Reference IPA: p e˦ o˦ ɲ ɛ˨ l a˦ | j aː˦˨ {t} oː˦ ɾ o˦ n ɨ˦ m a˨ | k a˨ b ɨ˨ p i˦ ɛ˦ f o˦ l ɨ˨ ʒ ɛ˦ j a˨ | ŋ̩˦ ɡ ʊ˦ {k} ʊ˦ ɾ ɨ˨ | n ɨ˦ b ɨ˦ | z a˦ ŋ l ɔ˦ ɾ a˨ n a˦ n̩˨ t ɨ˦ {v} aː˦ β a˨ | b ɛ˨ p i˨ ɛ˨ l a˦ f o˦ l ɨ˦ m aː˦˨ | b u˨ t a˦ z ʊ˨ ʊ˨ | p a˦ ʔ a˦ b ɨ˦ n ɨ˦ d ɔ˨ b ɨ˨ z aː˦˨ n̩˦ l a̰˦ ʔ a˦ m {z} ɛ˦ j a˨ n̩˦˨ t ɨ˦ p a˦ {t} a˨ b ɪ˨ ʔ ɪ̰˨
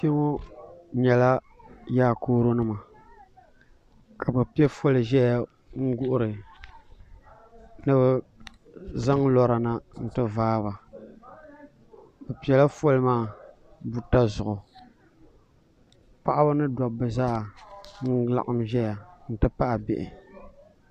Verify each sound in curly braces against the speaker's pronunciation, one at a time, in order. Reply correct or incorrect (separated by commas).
incorrect, incorrect, correct, incorrect, incorrect